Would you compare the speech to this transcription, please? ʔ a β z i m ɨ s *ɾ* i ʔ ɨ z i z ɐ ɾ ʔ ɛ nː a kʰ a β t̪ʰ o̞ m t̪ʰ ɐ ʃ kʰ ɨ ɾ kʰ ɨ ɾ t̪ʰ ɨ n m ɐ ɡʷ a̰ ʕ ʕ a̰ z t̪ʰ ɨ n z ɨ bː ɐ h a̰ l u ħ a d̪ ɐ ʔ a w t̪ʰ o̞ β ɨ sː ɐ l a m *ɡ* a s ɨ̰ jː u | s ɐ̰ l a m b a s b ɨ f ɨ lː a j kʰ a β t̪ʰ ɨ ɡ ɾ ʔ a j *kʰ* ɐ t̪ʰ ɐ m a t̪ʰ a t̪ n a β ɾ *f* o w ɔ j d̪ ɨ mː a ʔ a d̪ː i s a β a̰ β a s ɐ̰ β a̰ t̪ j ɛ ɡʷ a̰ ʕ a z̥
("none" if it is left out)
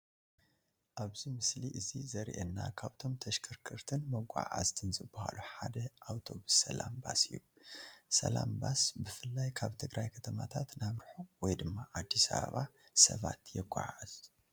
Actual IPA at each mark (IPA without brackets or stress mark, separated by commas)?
l, b, kʰ, ħ